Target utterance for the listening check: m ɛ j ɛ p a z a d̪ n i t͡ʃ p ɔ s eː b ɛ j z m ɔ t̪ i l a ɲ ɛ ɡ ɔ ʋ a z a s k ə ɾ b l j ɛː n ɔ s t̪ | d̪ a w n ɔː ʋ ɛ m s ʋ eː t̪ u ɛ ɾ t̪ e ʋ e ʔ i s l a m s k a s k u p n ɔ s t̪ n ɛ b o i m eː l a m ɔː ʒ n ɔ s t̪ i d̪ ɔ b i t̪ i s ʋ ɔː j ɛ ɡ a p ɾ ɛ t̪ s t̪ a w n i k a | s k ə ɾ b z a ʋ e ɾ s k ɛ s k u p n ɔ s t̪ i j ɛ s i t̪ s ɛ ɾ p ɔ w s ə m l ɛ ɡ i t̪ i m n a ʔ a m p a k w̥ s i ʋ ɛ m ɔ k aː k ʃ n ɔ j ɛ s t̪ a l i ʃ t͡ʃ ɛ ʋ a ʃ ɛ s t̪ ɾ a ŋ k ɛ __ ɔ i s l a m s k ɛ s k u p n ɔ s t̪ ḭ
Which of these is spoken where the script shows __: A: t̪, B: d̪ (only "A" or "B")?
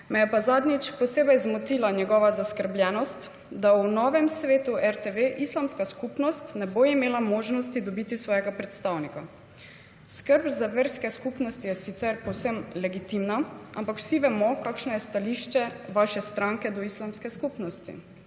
B